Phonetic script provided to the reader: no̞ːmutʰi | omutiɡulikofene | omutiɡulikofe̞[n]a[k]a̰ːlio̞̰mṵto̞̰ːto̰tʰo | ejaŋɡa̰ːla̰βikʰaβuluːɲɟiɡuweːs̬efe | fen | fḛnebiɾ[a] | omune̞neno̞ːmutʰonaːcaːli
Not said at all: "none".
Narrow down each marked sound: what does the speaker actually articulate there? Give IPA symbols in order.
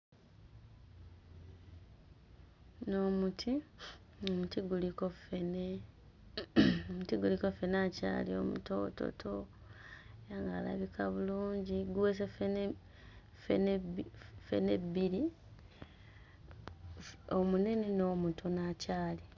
n, c, i

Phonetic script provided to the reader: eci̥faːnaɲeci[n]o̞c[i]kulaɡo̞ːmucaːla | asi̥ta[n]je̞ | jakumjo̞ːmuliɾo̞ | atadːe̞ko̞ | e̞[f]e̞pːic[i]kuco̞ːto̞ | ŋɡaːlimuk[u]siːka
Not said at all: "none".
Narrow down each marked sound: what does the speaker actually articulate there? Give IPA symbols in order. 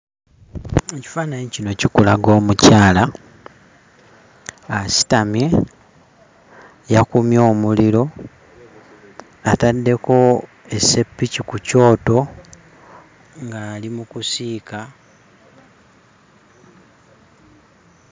n, i, m, s, i, u

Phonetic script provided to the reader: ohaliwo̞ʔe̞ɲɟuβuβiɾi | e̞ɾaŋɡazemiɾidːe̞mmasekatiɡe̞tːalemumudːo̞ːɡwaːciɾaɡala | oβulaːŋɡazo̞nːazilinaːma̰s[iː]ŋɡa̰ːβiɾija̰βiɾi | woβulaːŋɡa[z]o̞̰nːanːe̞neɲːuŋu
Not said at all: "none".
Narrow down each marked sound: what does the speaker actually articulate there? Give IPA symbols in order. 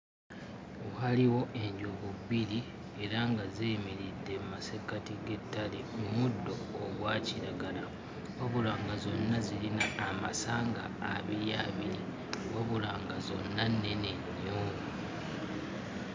aː, z

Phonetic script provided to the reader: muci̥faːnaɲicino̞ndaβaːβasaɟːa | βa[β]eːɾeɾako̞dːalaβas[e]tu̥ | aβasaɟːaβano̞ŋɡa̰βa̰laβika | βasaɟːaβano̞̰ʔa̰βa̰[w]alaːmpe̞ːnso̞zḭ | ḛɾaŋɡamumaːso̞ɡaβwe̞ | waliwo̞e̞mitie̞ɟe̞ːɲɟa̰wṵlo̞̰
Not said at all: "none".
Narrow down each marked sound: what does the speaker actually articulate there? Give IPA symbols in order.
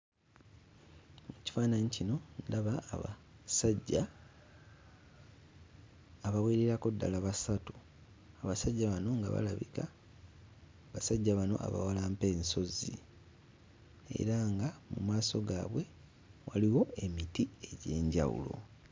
w, a, w

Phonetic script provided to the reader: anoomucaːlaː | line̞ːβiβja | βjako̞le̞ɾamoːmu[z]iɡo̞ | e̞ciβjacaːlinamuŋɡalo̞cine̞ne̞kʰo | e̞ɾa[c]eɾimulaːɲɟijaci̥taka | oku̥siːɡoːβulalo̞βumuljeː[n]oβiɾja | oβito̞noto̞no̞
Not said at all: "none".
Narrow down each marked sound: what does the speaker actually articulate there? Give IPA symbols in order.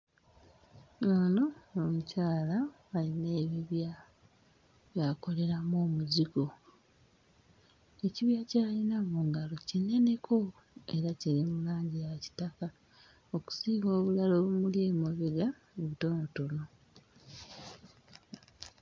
z, c, m

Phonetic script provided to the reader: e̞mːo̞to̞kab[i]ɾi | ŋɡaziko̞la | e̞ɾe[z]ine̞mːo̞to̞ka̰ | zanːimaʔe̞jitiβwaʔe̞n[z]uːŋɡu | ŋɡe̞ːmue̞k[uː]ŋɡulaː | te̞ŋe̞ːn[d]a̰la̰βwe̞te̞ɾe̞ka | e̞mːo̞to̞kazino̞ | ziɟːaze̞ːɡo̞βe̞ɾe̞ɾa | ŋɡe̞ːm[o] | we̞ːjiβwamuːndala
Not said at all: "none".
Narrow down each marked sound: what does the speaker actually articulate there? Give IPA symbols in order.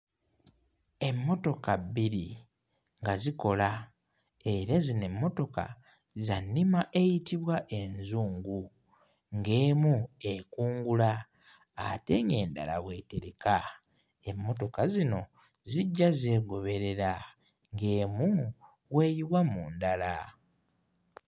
i, z, z, uː, d, u

